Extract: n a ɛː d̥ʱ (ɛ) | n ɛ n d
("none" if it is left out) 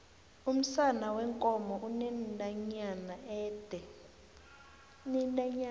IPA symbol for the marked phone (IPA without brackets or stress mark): ɛ